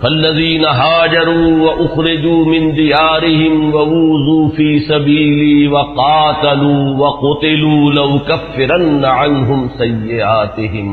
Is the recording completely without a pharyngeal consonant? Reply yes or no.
no